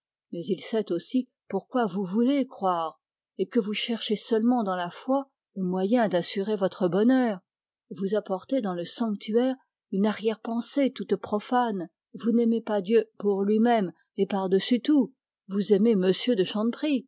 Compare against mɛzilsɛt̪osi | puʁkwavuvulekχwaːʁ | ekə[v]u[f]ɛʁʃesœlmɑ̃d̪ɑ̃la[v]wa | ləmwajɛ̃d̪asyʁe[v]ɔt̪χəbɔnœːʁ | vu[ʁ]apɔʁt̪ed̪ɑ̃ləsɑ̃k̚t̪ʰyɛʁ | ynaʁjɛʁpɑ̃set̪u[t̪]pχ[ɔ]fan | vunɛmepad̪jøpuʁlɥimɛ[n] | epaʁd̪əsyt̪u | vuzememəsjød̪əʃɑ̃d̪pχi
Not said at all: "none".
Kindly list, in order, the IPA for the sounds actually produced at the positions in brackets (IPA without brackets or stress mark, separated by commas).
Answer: v, ʃ, f, v, z, t̪, ɔ, m